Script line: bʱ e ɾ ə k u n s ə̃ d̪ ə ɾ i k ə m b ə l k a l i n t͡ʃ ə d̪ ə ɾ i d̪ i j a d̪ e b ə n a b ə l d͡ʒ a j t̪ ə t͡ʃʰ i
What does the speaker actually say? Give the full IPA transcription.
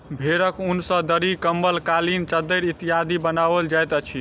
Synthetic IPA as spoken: bʱ e ɾ ə k u n s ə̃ d̪ ə ɾ i k ə m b ə l k a l i n t͡ʃ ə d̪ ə ɾ i t̪ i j a d̪ i b ə n a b ə l d͡ʒ a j t̪ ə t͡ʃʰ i